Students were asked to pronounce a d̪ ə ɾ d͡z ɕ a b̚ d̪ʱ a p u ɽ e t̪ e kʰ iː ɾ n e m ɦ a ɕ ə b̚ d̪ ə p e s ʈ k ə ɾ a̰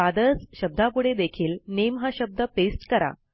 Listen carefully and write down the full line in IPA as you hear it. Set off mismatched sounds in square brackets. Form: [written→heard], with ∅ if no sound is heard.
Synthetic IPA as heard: a d̪ ə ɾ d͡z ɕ [a→ə] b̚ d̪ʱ a p u ɽ e [t̪→d̪] e kʰ iː [ɾ→l] n e m ɦ a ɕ ə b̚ d̪ ə p e s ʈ k ə ɾ a̰